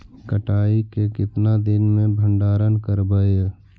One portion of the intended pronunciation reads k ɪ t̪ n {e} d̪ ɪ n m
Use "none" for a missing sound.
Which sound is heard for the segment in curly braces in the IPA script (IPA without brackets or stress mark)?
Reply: a